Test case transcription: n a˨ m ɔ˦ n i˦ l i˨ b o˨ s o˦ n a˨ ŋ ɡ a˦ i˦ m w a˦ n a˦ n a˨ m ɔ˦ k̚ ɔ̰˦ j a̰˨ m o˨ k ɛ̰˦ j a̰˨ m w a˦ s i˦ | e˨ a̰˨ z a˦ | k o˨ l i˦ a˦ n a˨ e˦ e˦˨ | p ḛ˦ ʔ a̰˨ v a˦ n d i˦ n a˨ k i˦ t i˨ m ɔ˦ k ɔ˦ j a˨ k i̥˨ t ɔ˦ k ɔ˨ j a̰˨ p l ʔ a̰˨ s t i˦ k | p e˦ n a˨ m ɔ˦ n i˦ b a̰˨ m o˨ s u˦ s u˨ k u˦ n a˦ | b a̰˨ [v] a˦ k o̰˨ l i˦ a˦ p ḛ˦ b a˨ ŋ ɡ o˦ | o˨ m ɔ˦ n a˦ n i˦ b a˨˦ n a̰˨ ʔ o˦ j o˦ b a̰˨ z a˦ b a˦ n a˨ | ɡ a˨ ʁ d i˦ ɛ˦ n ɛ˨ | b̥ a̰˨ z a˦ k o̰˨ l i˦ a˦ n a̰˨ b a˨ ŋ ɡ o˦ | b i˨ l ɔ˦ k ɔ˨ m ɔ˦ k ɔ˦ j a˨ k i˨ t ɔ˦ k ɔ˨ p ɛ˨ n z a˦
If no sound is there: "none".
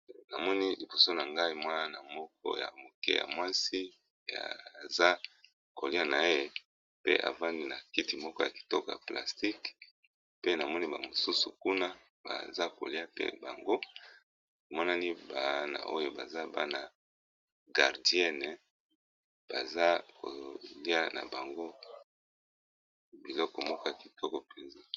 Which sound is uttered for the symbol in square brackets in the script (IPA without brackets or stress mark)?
z